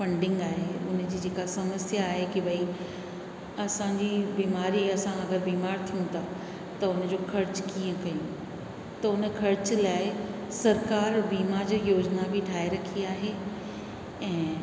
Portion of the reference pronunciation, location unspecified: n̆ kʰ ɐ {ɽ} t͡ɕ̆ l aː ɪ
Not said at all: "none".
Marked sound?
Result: ɾ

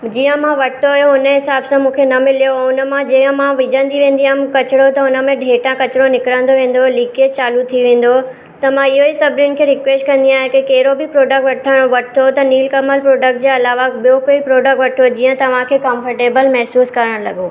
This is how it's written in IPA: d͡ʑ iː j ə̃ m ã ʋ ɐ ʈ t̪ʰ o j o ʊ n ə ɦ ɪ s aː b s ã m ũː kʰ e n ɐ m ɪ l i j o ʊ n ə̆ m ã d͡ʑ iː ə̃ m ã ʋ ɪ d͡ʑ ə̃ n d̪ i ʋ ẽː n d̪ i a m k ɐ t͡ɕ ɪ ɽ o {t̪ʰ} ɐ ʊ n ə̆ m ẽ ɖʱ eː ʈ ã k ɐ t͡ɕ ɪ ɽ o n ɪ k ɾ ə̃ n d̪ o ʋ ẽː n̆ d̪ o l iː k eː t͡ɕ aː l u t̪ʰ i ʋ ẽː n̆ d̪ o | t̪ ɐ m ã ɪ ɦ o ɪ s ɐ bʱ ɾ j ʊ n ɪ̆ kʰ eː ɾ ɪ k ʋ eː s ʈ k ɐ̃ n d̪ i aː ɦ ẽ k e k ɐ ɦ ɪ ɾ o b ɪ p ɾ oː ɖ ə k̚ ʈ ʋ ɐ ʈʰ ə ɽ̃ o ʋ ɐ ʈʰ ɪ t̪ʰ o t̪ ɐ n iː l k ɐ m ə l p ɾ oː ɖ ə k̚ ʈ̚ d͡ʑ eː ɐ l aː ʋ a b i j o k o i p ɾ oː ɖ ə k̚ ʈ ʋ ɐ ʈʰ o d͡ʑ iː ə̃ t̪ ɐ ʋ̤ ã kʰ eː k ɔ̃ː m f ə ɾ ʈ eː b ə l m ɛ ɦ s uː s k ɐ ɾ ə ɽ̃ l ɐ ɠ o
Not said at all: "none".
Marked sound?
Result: t̪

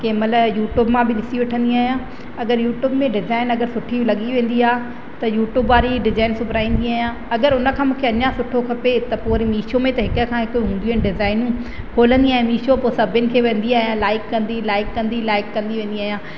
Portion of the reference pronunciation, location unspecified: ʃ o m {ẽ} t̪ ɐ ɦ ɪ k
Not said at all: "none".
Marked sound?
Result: ẽ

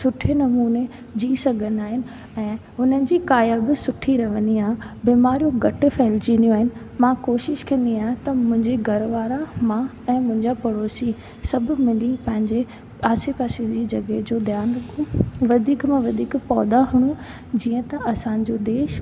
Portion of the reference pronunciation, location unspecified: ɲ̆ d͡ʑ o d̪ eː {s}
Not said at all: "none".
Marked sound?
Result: ʃ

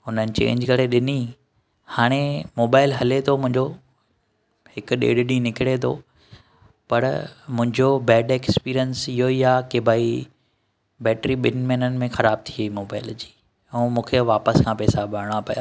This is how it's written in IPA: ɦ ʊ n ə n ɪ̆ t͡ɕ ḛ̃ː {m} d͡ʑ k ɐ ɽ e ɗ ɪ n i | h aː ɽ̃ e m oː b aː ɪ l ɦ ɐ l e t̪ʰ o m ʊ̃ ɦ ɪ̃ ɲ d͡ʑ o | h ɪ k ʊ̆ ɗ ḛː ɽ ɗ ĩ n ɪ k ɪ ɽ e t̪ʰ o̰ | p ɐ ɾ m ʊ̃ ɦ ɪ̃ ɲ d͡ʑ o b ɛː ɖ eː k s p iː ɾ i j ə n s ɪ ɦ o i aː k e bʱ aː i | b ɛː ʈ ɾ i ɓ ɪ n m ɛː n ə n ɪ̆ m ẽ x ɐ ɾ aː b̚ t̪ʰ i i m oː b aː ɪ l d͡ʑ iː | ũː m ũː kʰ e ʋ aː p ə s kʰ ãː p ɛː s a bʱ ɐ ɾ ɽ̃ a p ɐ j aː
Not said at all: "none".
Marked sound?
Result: ɲ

